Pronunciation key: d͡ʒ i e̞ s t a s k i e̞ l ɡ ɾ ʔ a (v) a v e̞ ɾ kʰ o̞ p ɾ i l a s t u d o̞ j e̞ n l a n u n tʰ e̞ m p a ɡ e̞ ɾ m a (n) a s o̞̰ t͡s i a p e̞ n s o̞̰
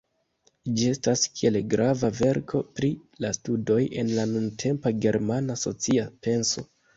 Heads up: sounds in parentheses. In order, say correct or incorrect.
correct, correct

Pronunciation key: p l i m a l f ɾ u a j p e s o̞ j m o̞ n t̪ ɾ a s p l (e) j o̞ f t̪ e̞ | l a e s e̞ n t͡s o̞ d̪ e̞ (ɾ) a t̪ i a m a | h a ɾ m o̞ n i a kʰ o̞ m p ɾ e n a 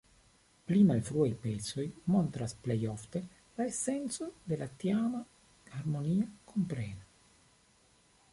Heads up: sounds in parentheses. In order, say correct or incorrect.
correct, incorrect: l

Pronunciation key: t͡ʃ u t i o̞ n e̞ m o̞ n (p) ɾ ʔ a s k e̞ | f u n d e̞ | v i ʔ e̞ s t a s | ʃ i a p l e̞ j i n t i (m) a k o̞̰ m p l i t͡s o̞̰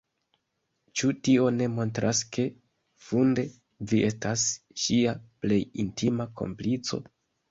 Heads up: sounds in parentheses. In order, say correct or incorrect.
incorrect: t, correct

